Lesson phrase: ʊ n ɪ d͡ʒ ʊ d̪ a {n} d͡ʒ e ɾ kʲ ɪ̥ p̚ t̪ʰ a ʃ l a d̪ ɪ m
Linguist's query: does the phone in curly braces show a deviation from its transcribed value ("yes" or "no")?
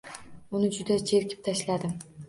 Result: yes